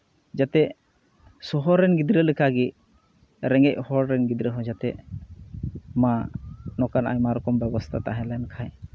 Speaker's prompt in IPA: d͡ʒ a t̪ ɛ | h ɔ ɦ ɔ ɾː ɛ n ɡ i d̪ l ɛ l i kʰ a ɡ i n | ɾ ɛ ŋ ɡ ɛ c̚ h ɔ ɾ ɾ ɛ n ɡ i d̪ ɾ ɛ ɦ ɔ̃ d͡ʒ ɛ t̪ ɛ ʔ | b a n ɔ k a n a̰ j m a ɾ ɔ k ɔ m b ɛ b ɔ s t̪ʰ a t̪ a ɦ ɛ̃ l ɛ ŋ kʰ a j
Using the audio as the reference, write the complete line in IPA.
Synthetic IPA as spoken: d͡ʒ a t̪ ɛ | s ɔ ɦ ɔ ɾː ɛ n ɡ i d̪ ɾ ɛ l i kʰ a ɡ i | ɾ ɛ ŋ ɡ ɛ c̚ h ɔ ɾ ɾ ɛ n ɡ i d̪ ɾ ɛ ɦ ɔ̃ d͡ʒ a t̪ ɛ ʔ | m a n ɔ k a n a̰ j m a ɾ ɔ k ɔ m b ɛ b ɔ s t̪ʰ a t̪ a ɦ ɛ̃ l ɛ n kʰ a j